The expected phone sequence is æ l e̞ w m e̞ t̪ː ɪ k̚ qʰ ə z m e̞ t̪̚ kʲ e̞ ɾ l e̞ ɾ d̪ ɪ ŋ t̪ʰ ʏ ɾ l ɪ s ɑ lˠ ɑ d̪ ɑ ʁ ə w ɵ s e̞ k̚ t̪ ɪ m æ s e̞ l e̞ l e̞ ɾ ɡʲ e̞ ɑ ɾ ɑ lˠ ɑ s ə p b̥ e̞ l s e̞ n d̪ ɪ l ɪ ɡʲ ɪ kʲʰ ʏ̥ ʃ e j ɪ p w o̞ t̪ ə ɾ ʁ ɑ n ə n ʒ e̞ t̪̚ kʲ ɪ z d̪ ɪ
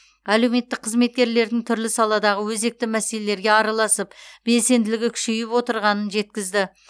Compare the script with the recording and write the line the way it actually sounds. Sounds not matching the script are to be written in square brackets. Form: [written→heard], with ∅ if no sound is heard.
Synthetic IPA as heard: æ l e̞ w m e̞ t̪ː ɪ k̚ qʰ ə z m e̞ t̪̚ kʲ e̞ ɾ l e̞ ɾ d̪ ɪ ŋ t̪ʰ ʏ ɾ l ɪ s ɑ lˠ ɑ d̪ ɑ ʁ ə w ɵ [s→z] e̞ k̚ t̪ ɪ m æ s e̞ l e̞ l e̞ ɾ ɡʲ e̞ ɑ ɾ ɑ lˠ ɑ s ə p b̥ e̞ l s e̞ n d̪ ɪ l ɪ ɡʲ ɪ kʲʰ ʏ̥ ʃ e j ɪ p w o̞ t̪ ə ɾ ʁ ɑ n ə n ʒ e̞ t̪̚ kʲ ɪ z d̪ ɪ